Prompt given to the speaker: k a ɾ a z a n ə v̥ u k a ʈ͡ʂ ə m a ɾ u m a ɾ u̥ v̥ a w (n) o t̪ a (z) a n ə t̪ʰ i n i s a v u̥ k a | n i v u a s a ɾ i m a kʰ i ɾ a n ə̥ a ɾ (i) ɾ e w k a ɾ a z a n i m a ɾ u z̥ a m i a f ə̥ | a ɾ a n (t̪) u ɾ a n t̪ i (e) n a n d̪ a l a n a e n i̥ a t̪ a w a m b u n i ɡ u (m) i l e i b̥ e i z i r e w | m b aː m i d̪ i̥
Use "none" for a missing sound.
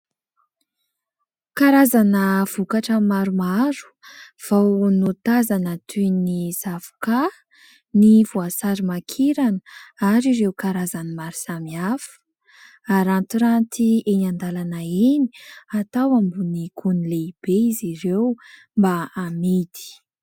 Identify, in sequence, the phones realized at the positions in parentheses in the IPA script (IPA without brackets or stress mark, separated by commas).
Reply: n, z, i, t̪, e, n